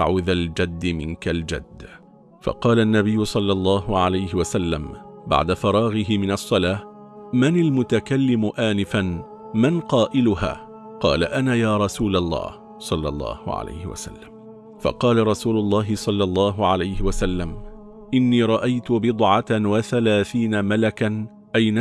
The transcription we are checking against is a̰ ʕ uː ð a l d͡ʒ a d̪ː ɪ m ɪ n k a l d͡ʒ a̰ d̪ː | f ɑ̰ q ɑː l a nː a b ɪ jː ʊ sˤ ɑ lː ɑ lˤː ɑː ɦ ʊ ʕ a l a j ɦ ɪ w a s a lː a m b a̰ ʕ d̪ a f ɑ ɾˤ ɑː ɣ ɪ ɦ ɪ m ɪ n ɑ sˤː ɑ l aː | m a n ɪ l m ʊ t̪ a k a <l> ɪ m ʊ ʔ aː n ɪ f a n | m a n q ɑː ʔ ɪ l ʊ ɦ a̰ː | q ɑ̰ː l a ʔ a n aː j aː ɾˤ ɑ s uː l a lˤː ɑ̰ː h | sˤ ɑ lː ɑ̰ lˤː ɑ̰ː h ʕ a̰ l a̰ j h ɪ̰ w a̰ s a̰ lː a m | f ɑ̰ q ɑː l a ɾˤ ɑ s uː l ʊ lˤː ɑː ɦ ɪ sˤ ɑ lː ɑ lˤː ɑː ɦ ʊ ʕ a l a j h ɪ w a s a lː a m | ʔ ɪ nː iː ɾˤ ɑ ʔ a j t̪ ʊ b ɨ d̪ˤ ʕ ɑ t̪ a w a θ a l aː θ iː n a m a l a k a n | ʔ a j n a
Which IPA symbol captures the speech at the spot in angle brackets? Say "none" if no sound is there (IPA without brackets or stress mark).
lː